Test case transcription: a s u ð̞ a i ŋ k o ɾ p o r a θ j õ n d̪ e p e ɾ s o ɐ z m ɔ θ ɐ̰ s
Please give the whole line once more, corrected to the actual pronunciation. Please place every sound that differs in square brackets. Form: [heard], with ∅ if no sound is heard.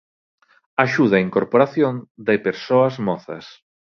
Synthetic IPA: a [ʃ] u ð̞ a i ŋ k o ɾ p o [ɾ] a θ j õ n d̪ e p e ɾ s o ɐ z m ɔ θ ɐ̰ s